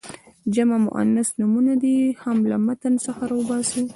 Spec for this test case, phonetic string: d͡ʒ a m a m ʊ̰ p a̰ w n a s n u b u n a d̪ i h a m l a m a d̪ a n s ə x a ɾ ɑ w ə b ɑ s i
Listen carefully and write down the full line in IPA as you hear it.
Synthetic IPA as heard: d͡ʒ a m a m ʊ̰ ʔ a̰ n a s n u m u n a d̪ i h a m l a m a t̪ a n s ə x a ɾ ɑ w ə b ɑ s i